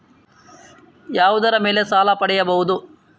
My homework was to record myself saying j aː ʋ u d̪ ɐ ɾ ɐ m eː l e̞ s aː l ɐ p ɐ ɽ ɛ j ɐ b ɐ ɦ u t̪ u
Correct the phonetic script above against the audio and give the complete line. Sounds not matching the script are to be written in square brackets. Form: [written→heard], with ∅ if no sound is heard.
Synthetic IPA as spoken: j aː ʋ u d̪ ɐ ɾ ɐ m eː l e̞ s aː l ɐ p ɐ ɽ ɛ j ɐ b ɐ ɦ u [t̪→d̪] u